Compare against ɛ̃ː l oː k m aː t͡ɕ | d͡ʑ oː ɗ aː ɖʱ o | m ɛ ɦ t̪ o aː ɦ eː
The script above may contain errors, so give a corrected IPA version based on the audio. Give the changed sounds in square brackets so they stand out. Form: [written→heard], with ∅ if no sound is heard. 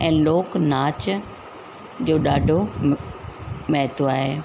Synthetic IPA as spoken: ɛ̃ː l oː k [m→n] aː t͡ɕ | d͡ʑ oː ɗ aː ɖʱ o | m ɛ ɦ t̪ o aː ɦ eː